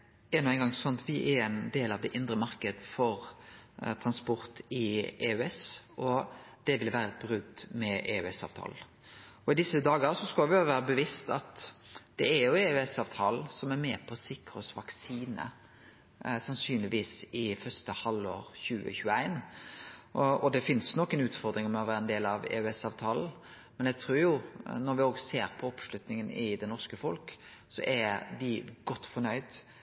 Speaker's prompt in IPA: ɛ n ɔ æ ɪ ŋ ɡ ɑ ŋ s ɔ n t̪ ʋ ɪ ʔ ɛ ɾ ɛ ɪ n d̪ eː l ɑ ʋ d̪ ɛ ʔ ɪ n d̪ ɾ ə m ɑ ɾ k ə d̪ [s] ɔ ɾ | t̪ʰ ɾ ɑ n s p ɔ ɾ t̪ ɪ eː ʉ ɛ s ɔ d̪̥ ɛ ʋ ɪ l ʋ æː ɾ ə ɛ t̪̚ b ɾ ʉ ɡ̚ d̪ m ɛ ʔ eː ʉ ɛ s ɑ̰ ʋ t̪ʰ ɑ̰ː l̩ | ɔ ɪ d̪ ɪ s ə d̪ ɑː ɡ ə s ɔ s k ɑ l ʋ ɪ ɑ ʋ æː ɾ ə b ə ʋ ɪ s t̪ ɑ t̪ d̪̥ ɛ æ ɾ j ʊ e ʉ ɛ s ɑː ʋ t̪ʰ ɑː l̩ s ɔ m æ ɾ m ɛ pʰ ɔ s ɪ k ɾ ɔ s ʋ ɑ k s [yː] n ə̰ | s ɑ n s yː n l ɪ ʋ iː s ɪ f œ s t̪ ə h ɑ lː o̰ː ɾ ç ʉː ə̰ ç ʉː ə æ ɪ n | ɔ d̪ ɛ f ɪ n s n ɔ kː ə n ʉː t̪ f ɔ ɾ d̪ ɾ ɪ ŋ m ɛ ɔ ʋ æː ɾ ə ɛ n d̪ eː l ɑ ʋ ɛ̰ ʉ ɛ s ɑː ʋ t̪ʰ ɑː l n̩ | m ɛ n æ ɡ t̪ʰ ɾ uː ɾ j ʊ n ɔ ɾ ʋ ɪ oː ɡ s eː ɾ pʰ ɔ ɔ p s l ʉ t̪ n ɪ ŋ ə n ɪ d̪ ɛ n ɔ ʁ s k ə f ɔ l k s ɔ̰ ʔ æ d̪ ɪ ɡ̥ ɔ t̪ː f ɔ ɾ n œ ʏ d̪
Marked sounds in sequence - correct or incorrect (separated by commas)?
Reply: incorrect, incorrect